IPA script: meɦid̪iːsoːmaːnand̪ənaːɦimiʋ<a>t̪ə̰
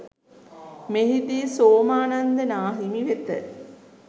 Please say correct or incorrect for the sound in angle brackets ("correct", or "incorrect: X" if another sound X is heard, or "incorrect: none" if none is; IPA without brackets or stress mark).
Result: incorrect: e